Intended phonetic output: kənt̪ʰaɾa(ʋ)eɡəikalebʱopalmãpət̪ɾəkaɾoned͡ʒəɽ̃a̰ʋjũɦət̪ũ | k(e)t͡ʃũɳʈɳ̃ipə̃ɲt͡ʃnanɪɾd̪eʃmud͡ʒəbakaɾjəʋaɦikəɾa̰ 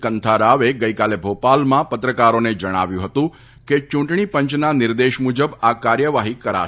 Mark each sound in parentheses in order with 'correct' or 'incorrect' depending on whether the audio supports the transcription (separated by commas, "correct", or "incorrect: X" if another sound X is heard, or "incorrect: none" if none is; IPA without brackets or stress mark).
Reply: correct, correct